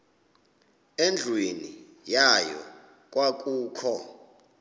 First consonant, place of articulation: alveolar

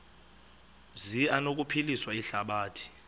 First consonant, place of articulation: alveolar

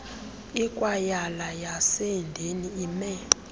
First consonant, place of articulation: velar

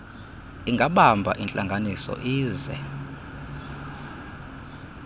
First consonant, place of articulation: velar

